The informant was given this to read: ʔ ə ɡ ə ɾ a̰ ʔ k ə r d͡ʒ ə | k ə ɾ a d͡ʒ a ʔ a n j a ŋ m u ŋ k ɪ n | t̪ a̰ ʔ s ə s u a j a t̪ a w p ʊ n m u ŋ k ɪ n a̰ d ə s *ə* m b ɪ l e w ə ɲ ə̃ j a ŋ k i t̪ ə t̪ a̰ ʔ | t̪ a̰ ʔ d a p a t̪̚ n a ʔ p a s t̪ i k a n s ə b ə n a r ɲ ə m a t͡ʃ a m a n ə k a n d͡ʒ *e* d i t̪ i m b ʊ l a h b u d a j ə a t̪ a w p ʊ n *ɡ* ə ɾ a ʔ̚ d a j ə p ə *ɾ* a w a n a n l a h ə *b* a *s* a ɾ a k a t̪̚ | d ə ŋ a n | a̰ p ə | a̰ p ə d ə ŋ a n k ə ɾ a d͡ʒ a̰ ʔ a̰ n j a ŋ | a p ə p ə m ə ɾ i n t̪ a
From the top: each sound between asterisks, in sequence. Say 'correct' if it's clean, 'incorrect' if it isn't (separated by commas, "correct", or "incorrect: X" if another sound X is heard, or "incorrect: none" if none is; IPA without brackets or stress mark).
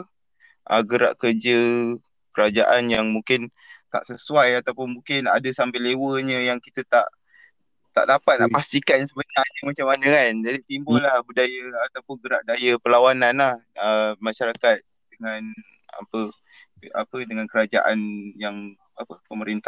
incorrect: a, incorrect: a, correct, incorrect: l, incorrect: m, incorrect: ʃ